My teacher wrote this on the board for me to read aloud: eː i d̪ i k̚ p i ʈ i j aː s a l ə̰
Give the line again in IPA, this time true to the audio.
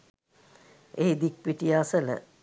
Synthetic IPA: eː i d̪ i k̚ p i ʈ i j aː s ə l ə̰